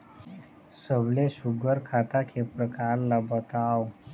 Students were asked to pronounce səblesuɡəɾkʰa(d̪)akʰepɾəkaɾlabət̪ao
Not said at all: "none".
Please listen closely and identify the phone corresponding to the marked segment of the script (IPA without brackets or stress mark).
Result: t̪